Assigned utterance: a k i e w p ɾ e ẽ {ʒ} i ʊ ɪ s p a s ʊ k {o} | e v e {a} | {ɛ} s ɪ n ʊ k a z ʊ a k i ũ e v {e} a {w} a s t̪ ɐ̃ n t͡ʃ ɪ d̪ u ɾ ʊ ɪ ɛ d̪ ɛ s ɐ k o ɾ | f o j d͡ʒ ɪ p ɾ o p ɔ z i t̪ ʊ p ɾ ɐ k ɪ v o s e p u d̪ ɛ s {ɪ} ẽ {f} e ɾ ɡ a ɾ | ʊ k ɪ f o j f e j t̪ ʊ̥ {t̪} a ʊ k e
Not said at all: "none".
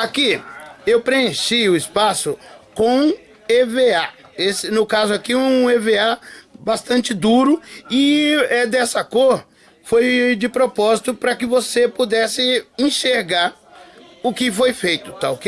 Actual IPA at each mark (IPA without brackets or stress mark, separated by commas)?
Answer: ʃ, õ, a, e, e, b, ɪ, ʃ, t̪